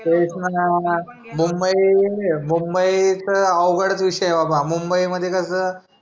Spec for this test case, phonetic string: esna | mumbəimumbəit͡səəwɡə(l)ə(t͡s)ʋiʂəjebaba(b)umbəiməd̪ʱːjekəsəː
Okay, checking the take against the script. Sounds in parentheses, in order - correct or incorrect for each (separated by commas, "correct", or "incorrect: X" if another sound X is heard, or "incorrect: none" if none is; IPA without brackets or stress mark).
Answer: incorrect: ɽ, correct, incorrect: m